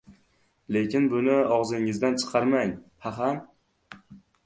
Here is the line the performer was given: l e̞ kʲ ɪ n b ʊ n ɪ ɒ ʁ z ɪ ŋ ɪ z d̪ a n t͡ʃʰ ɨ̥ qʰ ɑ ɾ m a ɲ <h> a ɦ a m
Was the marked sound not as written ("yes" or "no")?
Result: no